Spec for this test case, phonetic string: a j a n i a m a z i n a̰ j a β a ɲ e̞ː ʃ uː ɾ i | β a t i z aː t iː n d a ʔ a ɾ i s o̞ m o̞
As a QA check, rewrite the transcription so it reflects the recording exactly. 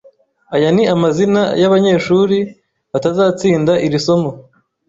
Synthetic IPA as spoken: a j a n i a m a z i n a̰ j a β a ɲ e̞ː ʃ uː ɾ i | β a t a z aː t͡s iː n d a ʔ i ɾ i s o̞ m o̞